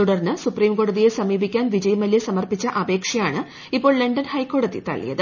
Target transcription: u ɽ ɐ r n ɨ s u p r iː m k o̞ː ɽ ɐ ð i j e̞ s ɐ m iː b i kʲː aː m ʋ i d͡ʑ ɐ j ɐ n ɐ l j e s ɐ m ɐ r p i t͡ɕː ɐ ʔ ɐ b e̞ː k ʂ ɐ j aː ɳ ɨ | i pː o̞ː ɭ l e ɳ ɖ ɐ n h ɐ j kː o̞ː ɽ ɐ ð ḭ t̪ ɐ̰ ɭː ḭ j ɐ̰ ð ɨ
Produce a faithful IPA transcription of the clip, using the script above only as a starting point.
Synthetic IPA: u ɽ ɐ r n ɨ s u p r iː m k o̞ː ɽ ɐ ð i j e̞ s ɐ m iː b i kʲː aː n ʋ i d͡ʑ ɐ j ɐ m ɐ l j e s ɐ m ɐ r p i t͡ɕː ɐ ʔ ɐ b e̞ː k ʂ ɐ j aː ɳ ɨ | i pː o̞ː ɭ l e ɳ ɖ ɐ n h ɐ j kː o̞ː ɽ ɐ ð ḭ t̪ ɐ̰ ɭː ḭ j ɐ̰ ð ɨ